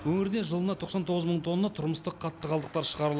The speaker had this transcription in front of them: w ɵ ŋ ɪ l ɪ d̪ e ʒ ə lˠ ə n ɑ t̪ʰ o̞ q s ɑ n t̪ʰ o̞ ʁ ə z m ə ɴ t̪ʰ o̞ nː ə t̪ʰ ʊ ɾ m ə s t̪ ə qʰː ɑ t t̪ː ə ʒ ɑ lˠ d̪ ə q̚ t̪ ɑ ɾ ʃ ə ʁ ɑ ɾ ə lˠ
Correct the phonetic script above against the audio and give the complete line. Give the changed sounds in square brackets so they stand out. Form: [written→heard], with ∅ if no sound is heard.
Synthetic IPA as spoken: w ɵ ŋ ɪ [l→ɾ] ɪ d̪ e ʒ ə lˠ ə n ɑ t̪ʰ o̞ q s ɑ n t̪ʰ o̞ ʁ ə z m ə ɴ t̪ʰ o̞ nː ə t̪ʰ ʊ ɾ m ə s t̪ ə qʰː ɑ t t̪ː ə [ʒ→ʁ] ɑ lˠ d̪ ə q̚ t̪ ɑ ɾ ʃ ə ʁ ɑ ɾ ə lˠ